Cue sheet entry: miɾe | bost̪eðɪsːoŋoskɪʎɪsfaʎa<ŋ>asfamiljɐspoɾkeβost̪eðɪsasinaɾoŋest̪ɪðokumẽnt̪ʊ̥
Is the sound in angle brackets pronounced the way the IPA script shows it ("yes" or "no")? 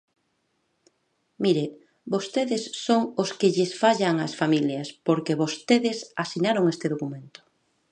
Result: yes